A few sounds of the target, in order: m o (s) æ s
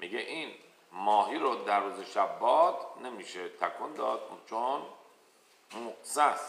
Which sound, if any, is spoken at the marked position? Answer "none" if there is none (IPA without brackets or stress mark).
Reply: s